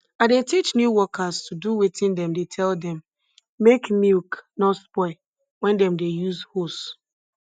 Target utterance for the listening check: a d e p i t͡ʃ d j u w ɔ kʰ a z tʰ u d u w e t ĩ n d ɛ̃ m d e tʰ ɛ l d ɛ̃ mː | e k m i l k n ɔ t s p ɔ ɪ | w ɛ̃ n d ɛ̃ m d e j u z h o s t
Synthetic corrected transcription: a d e t i t͡ʃ n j u w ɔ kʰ a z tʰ u d u w e t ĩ n d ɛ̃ m d e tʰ ɛ l d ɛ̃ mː | e k m i l k n ɔ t s p ɔ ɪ | w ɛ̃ n d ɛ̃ m d e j u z h o s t